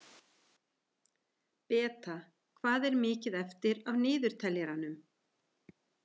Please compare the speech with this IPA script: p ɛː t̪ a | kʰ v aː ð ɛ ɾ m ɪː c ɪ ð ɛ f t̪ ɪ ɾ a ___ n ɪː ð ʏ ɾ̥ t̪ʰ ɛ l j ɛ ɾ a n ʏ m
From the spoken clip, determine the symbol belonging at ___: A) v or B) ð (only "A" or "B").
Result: A